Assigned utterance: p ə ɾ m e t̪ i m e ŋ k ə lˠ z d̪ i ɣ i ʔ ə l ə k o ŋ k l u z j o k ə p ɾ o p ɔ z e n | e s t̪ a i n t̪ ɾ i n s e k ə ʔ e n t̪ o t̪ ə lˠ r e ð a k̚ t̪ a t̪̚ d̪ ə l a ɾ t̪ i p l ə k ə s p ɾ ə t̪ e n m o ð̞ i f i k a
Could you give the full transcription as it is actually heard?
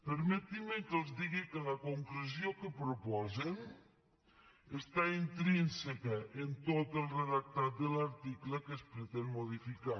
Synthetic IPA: p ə ɾ m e t̪ i m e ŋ k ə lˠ z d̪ i ɣ i k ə l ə k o ŋ k l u z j o k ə p ɾ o p ɔ z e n | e s t̪ a i n t̪ ɾ i n s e k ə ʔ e n t̪ o t̪ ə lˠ r e ð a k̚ t̪ a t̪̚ d̪ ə l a ɾ t̪ i k l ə k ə s p ɾ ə t̪ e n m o ð̞ i f i k a